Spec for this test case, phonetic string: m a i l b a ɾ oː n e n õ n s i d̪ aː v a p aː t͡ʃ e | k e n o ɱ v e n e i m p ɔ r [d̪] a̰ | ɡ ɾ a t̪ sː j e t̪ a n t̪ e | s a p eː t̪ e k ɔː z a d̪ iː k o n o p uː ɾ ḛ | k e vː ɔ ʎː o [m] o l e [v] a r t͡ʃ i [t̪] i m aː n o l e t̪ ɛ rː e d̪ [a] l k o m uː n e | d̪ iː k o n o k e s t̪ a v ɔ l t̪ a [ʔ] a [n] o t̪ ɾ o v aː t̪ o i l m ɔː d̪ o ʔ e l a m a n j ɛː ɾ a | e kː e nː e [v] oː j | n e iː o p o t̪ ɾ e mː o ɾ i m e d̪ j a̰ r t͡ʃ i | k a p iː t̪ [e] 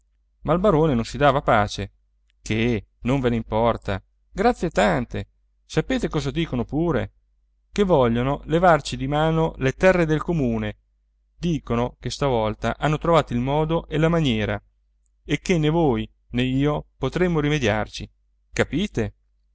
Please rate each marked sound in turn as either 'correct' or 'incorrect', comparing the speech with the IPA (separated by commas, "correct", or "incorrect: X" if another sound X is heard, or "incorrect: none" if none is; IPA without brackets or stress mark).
incorrect: t̪, incorrect: n, correct, incorrect: d̪, incorrect: e, correct, incorrect: nː, correct, correct